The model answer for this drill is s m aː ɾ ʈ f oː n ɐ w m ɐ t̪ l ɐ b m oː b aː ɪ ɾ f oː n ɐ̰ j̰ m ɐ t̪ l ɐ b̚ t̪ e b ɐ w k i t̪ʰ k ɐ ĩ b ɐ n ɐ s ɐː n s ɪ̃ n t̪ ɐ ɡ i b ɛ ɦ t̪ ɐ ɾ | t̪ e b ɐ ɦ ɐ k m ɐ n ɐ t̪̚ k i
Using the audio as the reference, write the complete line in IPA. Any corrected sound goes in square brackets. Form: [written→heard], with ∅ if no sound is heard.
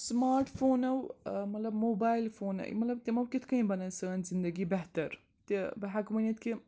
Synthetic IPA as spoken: s m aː ɾ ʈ f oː n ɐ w m ɐ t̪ l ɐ b m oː b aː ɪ [ɾ→l] f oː n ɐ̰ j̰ m ɐ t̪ l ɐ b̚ t̪ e [b→m] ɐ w k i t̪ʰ k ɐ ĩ b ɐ n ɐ s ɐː n [s→z] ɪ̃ n [t̪→d̪] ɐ ɡ i b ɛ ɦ t̪ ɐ ɾ | t̪ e b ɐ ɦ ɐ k m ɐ n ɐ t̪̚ k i